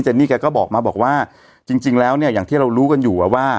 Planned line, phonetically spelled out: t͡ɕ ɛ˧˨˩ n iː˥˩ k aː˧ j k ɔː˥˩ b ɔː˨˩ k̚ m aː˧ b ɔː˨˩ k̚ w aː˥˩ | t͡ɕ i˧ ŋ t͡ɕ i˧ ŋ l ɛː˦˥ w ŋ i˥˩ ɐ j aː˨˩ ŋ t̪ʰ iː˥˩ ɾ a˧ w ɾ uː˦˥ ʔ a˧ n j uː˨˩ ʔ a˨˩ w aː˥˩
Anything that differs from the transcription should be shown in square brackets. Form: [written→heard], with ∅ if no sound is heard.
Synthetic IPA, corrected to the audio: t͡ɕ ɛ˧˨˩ n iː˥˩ k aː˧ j k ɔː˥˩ b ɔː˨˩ k̚ m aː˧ b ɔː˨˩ k̚ w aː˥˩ | t͡ɕ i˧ ŋ t͡ɕ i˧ ŋ l ɛː˦˥ w [ŋ→n] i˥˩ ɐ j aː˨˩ ŋ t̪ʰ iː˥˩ ɾ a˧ w ɾ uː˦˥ [ʔ→k] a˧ n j uː˨˩ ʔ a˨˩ w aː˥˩